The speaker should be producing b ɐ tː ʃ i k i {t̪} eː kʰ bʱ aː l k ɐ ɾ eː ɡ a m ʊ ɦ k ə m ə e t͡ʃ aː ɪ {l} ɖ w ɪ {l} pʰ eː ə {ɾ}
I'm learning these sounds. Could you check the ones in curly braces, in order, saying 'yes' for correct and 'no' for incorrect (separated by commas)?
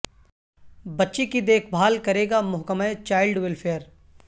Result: no, yes, yes, yes